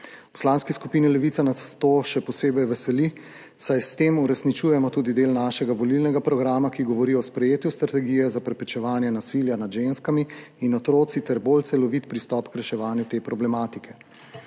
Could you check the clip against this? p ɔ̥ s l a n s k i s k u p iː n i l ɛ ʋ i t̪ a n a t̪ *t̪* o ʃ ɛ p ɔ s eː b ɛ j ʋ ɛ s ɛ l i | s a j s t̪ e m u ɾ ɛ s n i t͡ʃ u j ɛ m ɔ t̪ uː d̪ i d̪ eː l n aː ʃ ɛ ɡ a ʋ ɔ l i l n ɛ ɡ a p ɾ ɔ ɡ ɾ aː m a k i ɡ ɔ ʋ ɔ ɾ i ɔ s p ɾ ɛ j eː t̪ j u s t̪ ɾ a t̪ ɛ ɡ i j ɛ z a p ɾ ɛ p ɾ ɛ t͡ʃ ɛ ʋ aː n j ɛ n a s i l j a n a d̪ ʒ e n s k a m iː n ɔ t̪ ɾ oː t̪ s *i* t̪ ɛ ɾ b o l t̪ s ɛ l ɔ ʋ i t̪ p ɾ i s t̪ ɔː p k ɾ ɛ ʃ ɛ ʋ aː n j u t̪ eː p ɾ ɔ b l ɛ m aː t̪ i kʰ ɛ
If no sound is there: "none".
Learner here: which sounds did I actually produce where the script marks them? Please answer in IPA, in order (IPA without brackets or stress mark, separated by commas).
t̪, i